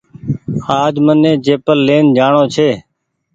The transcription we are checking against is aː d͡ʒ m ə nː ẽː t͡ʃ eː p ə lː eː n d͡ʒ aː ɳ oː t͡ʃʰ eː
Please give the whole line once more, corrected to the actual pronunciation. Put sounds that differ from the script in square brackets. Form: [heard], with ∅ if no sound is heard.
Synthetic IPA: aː d͡ʒ m ə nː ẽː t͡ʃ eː p ə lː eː n d͡ʒ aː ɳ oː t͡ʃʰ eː